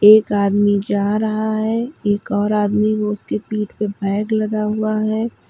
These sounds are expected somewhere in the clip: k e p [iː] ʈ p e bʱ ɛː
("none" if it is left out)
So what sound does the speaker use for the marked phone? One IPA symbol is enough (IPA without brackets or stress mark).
iː